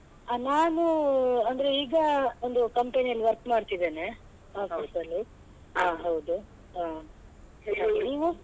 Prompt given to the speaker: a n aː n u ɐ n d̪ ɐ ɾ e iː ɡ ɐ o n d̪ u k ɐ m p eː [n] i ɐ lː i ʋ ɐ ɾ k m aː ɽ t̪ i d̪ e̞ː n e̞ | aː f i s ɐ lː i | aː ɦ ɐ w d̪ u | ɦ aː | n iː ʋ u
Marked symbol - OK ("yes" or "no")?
yes